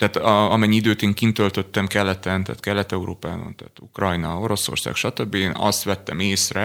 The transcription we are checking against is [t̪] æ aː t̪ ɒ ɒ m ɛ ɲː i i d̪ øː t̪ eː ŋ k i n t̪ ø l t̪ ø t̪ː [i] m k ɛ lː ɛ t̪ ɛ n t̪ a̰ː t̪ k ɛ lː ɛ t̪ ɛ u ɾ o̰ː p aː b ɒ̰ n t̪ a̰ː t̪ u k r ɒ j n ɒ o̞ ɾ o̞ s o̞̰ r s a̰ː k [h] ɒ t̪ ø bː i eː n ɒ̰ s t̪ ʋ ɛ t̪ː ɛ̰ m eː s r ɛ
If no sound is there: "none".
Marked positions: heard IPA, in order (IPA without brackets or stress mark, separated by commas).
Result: t̪, ɛ, ʃ